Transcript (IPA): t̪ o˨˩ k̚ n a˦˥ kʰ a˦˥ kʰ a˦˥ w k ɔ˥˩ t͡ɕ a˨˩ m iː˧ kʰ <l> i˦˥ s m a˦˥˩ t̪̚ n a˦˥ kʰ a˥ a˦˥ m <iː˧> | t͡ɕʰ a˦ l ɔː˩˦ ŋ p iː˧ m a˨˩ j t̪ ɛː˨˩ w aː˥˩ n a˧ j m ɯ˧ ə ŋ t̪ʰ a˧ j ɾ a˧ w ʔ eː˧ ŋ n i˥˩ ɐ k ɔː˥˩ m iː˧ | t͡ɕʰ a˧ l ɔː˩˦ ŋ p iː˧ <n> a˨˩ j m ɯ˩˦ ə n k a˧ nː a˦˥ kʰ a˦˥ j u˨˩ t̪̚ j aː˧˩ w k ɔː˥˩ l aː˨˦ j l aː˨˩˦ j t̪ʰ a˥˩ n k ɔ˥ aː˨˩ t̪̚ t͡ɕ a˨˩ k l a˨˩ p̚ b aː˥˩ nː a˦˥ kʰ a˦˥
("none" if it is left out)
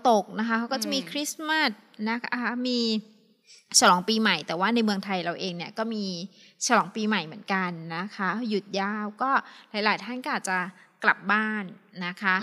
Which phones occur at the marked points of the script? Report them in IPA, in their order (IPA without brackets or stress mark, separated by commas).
ɾ, iː˧, m